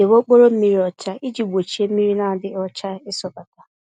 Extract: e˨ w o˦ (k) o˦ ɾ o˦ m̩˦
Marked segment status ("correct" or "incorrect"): incorrect